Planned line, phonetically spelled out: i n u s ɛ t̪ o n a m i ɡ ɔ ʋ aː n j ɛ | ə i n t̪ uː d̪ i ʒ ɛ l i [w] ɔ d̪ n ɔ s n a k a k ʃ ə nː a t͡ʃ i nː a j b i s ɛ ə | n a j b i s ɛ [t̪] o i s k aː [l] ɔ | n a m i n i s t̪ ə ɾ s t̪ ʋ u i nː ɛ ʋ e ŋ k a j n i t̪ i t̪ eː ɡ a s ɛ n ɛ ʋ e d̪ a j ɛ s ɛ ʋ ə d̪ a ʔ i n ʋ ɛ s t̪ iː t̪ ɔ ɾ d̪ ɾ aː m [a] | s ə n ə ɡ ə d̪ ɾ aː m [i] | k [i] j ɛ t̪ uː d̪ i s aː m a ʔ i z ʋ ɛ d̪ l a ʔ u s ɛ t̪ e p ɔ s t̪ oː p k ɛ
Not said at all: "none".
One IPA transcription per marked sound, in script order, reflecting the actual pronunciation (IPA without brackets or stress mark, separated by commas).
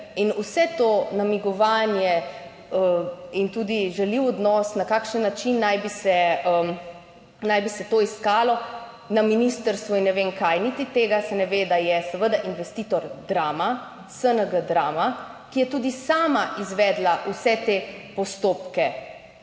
w, t̪, l, a, a, i